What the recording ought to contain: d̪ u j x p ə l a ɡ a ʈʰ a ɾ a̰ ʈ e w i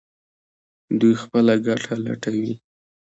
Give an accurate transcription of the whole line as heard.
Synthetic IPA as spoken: d̪ u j x p ə l a ɡ a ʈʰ a l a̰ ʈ a w i